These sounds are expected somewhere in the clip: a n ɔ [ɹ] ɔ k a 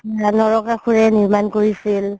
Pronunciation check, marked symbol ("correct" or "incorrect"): correct